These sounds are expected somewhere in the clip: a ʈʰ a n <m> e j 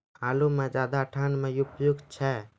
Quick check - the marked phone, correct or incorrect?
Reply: correct